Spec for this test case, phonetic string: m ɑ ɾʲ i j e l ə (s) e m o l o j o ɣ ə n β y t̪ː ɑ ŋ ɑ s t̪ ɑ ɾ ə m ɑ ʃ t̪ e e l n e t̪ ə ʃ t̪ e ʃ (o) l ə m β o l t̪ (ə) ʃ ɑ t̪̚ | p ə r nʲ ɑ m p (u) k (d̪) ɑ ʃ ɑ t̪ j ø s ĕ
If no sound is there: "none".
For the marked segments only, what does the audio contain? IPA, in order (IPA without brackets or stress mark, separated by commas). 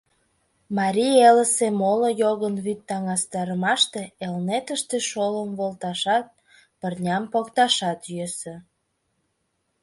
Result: s, o, ɑ, o, t̪